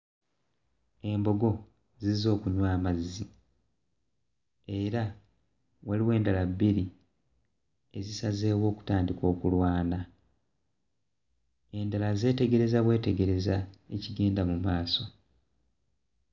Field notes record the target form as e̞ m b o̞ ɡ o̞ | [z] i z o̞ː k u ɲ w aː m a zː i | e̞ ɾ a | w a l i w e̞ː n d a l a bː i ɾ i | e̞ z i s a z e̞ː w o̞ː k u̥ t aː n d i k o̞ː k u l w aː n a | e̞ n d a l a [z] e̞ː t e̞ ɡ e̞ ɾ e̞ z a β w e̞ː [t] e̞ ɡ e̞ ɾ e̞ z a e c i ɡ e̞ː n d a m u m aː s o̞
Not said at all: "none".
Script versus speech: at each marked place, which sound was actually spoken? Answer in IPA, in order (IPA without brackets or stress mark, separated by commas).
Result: z, z, t